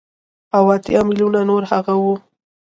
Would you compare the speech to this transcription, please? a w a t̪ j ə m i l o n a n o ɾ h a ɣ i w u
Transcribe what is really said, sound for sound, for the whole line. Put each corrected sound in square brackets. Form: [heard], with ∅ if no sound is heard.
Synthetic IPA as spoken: a w a t̪ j [ɑ] m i l [u] n a n o ɾ h a ɣ [a] w u

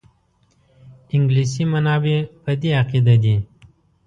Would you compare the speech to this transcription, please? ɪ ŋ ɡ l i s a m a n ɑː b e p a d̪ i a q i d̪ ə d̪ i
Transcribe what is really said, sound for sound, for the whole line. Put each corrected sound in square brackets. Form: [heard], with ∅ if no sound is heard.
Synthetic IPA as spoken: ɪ ŋ ɡ l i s [i] m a n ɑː b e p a d̪ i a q i d̪ [a] d̪ i

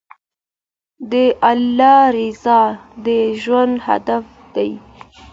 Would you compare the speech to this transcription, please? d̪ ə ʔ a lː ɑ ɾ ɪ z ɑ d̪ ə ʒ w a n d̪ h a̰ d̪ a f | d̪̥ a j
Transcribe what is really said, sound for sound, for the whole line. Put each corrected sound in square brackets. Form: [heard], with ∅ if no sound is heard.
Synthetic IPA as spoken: d̪ ə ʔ a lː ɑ ɾ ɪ z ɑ d̪ ə ʒ w a n d̪ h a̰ d̪ a f | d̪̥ a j

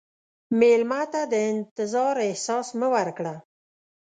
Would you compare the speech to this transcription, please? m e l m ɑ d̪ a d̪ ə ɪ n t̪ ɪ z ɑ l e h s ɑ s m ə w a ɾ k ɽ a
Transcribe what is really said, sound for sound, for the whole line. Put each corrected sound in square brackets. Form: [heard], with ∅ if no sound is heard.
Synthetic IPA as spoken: m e l m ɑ [t̪] a d̪ ə ɪ n t̪ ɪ z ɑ [ɾ] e h s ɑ s m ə w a ɾ k ɽ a

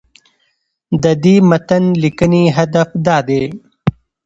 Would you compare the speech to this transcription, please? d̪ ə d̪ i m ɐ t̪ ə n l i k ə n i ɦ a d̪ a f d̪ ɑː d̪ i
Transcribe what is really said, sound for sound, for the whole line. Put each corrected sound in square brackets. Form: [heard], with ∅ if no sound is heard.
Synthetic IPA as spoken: d̪ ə d̪ i m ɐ t̪ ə n l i k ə n i ɦ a d̪ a f d̪ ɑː d̪ [e]

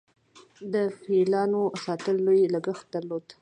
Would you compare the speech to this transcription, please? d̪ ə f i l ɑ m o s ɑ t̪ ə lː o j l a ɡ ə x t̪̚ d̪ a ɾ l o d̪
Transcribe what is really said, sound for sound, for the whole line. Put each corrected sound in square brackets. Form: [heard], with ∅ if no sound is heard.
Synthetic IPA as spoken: d̪ ə f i l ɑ [n] o s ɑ t̪ ə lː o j l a ɡ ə x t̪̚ d̪ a ɾ l o d̪

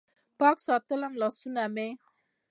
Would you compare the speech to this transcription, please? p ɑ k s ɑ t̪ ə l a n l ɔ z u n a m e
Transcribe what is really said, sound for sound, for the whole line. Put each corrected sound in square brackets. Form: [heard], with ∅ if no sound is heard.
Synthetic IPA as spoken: p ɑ k s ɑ t̪ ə l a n l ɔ [s] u n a m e

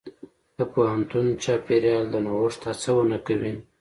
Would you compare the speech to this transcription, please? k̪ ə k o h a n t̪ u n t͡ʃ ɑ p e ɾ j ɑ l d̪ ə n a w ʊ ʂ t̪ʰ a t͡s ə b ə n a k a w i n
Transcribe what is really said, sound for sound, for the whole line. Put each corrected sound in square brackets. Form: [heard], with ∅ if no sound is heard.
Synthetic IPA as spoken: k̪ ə [p] o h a n t̪ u n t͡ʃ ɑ p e ɾ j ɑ l d̪ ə n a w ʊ ʂ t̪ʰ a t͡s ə [w] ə n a k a w i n

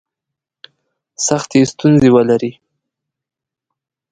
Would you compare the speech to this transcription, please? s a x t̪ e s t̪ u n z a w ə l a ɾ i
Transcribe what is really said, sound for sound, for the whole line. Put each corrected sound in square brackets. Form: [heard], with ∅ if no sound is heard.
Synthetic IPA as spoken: s a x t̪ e s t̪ u n z [e] w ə l a ɾ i

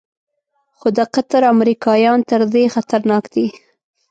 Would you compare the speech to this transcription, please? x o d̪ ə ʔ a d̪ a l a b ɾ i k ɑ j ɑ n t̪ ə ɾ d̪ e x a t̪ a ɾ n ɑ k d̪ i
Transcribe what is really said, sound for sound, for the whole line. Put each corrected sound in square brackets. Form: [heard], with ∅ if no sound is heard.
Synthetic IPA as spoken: x o d̪ ə [q] a [t̪] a [ɾ] a [m] ɾ i k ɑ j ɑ n t̪ ə ɾ d̪ e x a t̪ a ɾ n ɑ k d̪ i

